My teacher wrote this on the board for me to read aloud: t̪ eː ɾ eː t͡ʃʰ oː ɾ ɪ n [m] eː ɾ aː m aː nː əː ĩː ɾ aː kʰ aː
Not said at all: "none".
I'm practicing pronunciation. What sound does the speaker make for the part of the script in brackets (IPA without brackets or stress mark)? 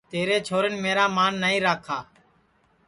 m